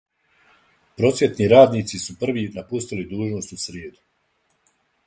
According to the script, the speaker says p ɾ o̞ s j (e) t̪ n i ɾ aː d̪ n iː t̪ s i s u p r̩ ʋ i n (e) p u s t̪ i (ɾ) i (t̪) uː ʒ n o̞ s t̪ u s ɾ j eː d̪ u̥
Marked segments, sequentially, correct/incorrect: correct, incorrect: a, incorrect: l, incorrect: d̪

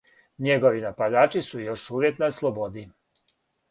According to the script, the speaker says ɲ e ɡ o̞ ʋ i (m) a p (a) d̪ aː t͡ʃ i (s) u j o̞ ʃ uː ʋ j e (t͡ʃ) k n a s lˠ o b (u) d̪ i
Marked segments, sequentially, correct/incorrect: incorrect: n, correct, correct, incorrect: none, incorrect: o

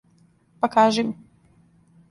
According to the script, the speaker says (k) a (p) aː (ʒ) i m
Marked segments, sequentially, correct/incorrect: incorrect: p, incorrect: k, correct

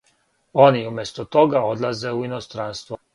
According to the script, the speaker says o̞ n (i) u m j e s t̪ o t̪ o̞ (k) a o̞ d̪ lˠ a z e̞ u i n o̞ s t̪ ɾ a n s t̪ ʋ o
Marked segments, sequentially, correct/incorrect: correct, incorrect: ɡ

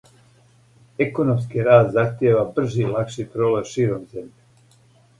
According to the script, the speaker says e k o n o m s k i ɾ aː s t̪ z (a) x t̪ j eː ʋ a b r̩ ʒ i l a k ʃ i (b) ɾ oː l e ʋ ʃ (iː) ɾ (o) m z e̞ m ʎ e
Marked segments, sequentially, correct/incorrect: correct, incorrect: p, correct, correct

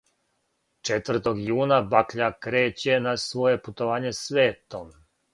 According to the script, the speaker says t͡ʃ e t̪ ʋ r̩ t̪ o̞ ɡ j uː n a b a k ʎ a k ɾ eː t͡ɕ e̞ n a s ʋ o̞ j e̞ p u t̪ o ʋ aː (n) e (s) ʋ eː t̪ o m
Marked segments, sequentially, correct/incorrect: incorrect: ɲ, correct

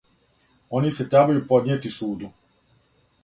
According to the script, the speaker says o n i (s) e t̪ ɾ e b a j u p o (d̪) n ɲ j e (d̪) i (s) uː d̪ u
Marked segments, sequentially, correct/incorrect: correct, correct, incorrect: t̪, correct

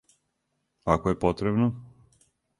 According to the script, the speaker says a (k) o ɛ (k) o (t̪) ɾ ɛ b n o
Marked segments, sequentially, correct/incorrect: correct, incorrect: p, correct

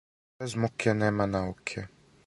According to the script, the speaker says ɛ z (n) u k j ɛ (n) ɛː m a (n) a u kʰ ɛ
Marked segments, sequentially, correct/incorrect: incorrect: m, correct, correct

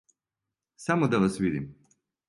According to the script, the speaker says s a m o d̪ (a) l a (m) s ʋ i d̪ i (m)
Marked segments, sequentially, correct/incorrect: correct, incorrect: none, correct

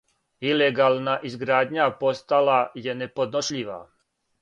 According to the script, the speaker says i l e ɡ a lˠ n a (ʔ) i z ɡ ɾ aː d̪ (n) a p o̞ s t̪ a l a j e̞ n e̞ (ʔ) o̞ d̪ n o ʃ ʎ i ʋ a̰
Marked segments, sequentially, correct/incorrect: correct, incorrect: ɲ, incorrect: p

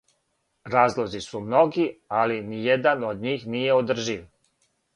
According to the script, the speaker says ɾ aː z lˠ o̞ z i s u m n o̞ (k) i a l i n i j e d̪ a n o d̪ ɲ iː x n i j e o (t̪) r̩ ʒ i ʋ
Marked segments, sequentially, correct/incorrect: incorrect: ɡ, incorrect: d̪

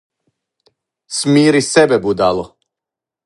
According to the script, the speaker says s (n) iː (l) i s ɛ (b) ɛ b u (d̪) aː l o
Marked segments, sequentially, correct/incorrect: incorrect: m, incorrect: ɾ, correct, correct

